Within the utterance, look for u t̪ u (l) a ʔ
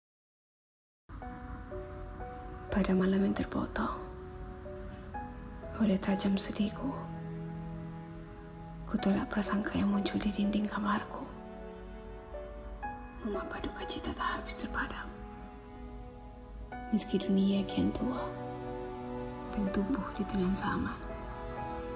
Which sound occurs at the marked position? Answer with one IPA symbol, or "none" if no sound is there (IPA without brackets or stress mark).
l